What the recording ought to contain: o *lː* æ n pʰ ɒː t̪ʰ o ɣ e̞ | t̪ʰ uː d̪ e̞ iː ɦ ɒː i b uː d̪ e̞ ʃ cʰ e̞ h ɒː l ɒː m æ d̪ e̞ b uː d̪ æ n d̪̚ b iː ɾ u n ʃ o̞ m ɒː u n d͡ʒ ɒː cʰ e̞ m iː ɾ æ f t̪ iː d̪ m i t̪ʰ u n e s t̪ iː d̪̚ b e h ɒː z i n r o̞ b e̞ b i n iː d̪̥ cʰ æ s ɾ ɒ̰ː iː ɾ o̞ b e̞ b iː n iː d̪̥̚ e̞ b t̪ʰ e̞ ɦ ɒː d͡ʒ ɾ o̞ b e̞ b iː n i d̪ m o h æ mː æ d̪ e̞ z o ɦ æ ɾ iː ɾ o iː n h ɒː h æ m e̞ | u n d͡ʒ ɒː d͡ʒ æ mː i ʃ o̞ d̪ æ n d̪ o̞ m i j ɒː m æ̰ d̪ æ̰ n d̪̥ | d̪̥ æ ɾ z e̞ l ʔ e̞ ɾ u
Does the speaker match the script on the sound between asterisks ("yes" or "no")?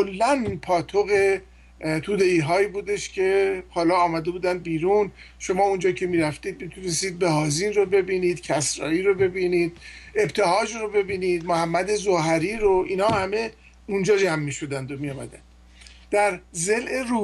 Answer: yes